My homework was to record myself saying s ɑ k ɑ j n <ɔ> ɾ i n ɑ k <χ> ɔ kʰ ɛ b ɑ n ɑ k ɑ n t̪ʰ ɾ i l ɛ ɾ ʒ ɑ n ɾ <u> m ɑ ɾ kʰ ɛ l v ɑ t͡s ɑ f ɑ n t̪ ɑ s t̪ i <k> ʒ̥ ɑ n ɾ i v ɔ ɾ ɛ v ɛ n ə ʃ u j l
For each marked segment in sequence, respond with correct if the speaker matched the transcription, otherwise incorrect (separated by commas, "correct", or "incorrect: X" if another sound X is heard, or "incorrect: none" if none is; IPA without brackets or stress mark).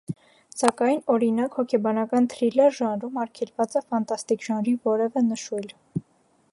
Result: correct, incorrect: h, correct, correct